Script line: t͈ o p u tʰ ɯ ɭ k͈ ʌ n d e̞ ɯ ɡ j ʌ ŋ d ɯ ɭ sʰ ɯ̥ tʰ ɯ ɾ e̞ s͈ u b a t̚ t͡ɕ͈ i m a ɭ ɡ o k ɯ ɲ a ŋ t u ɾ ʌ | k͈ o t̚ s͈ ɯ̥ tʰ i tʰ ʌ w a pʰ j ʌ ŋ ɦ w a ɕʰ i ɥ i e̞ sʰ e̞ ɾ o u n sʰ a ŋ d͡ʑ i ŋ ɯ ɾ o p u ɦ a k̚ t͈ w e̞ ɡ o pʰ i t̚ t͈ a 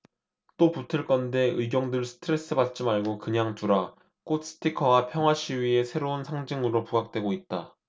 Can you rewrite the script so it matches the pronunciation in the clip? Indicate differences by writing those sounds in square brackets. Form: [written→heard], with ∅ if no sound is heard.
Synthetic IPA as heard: t͈ o p u tʰ ɯ ɭ k͈ ʌ n d e̞ ɯ ɡ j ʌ ŋ d ɯ ɭ sʰ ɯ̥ tʰ ɯ ɾ e̞ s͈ [u→ɯ] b a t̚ t͡ɕ͈ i m a ɭ ɡ o k ɯ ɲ a ŋ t u ɾ [ʌ→a] | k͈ o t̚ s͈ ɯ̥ tʰ i [tʰ→kʰ] ʌ w a pʰ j ʌ ŋ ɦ w a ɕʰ i ɥ i e̞ sʰ e̞ ɾ o u n sʰ a ŋ d͡ʑ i ŋ ɯ ɾ o p u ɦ a k̚ t͈ w e̞ ɡ o [pʰ→∅] i t̚ t͈ a